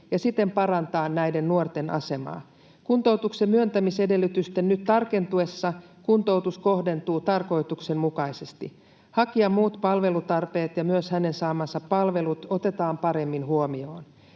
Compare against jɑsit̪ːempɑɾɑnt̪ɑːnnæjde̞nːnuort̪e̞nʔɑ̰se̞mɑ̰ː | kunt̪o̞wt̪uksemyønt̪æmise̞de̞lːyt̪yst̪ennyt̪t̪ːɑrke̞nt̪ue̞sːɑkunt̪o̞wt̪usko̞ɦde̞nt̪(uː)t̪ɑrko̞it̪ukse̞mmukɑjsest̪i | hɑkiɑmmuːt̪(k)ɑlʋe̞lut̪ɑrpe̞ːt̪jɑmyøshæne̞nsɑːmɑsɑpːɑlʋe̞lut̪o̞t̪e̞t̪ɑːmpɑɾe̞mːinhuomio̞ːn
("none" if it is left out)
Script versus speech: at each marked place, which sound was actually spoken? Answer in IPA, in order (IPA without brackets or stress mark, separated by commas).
uː, p